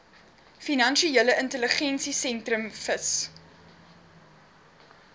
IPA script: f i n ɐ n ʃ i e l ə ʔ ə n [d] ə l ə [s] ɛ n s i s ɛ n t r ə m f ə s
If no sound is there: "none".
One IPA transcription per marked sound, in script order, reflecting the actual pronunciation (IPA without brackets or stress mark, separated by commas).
t, χ